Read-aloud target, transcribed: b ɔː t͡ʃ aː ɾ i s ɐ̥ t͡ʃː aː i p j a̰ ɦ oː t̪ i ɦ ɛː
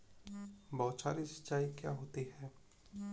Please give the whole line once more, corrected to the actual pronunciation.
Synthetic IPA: b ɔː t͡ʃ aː ɾ i s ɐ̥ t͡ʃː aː i k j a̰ ɦ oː t̪ i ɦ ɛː